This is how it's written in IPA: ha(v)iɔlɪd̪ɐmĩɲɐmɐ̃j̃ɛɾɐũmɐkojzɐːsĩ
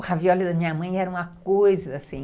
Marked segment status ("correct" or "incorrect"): correct